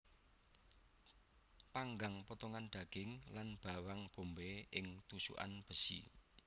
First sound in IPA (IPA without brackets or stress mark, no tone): p